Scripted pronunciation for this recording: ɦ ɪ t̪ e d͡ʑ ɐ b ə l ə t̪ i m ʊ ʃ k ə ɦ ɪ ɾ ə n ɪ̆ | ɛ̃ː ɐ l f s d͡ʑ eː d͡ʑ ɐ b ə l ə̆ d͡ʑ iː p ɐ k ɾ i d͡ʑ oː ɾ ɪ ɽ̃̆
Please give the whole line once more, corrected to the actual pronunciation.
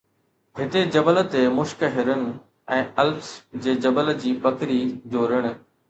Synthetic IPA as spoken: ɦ ɪ t̪ e d͡ʑ ɐ b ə l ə t̪ e m ʊ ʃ k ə ɦ ɪ ɾ ə n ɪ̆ | ɛ̃ː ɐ l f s d͡ʑ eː d͡ʑ ɐ b ə l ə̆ d͡ʑ iː p ɐ k ɾ i d͡ʑ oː ɾ ɪ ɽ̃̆